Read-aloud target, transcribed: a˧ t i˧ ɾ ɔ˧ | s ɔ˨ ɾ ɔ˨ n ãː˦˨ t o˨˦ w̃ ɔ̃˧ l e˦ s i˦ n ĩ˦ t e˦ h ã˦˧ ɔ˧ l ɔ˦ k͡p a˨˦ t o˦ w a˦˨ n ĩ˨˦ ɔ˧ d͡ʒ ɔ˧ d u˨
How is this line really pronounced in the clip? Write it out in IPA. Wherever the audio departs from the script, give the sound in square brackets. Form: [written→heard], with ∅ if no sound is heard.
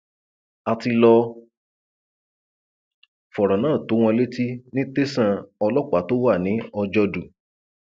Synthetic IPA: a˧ t i˧ [ɾ→l] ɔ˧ | [s→f] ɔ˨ ɾ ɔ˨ n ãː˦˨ t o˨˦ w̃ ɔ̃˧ l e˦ [s→t] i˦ n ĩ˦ t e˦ [h→s] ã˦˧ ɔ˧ l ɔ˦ k͡p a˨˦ t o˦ w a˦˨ n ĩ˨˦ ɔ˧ d͡ʒ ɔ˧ d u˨